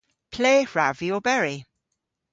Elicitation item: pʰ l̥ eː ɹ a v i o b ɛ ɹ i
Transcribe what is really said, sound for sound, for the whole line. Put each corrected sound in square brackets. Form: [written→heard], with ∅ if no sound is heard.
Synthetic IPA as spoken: pʰ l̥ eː ɹ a v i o b ɛ ɹ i